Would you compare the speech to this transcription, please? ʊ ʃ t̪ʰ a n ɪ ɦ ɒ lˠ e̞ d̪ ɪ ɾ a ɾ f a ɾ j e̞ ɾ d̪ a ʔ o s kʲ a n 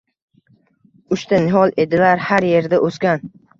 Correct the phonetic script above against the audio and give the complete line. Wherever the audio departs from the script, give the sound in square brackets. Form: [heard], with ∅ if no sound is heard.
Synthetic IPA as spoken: ʊ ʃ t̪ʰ a n ɪ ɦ ɒ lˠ e̞ d̪ ɪ [l] a ɾ [h] a ɾ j e̞ ɾ d̪ a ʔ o s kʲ a n